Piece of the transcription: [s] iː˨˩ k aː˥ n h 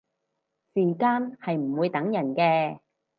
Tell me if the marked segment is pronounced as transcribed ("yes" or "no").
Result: yes